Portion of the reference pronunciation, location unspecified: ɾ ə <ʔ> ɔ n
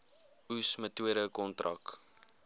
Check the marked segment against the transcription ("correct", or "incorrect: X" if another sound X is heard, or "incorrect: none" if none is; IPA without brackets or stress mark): incorrect: k